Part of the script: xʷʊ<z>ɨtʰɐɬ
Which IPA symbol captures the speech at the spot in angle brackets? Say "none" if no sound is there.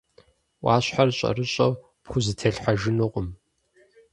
z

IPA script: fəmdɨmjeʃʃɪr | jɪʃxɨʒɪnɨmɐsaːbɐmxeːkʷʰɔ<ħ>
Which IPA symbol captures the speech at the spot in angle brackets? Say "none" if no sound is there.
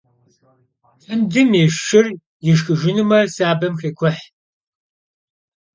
ħ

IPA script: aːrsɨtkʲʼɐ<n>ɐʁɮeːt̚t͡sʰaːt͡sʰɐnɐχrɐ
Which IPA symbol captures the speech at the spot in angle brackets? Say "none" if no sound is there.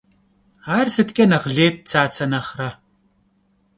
n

